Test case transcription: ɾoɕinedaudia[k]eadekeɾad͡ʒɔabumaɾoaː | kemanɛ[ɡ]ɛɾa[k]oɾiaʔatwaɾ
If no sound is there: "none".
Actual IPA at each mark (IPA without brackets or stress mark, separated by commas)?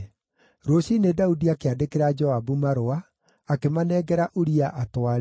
k, ɡ, ʔ